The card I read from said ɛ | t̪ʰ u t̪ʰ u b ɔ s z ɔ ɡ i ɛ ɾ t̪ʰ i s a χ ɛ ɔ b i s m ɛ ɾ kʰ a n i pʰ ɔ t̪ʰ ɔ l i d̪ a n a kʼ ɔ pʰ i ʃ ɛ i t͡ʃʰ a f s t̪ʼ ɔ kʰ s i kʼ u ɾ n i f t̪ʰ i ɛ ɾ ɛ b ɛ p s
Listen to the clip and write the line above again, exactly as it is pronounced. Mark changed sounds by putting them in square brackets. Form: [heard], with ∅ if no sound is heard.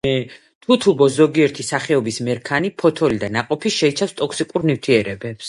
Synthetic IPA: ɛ | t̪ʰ u t̪ʰ u b ɔ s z ɔ ɡ i ɛ ɾ t̪ʰ i s a χ ɛ ɔ b i s m ɛ ɾ kʰ a n i pʰ ɔ t̪ʰ ɔ l i d̪ a n a [qʼ] ɔ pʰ i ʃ ɛ i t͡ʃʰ a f s t̪ʼ ɔ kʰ s i kʼ u ɾ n i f t̪ʰ i ɛ ɾ ɛ b ɛ p s